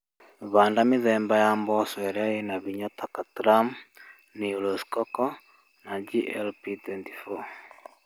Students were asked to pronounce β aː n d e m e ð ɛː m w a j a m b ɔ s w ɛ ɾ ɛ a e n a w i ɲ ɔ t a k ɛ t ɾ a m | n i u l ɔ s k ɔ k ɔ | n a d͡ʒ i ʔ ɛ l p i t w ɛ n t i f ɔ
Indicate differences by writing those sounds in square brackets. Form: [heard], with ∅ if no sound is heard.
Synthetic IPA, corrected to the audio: β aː n d [a] m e ð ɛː m [b] a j a m b ɔ s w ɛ ɾ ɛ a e n a [β] i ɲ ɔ t a k [a] t ɾ a m | n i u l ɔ s k ɔ k ɔ | n a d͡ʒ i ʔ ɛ l p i t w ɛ n t i f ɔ